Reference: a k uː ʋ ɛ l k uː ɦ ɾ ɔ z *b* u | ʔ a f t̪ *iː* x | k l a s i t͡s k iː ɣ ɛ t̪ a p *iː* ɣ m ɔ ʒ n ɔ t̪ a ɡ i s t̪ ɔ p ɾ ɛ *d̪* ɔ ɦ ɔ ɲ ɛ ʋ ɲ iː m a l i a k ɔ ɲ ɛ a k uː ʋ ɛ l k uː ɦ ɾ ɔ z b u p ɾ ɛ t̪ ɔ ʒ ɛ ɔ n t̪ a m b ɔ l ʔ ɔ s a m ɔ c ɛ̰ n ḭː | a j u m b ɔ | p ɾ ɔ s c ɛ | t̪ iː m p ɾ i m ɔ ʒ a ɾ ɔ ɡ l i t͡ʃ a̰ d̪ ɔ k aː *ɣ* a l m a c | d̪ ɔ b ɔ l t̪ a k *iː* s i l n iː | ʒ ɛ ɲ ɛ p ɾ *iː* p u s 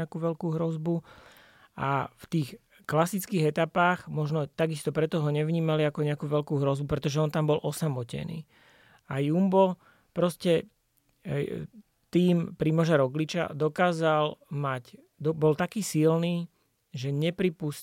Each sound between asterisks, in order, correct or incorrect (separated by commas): correct, correct, incorrect, incorrect, incorrect, correct, incorrect